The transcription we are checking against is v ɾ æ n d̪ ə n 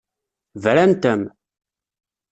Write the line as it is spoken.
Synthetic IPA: v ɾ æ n t̪ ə m